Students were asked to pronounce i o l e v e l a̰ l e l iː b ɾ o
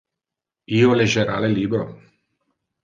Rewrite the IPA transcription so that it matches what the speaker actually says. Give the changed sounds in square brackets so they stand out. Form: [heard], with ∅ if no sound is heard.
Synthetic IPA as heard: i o l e [ʒ] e [ɾ] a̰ l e l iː b ɾ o